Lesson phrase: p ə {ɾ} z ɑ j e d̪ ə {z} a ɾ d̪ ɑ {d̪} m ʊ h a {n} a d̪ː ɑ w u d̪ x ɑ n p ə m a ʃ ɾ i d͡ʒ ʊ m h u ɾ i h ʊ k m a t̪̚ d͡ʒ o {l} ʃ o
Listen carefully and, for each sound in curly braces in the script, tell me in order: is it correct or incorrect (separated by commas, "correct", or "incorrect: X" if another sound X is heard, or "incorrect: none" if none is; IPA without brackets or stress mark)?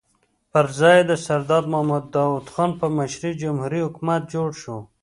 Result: correct, incorrect: s, correct, incorrect: m, incorrect: ɽ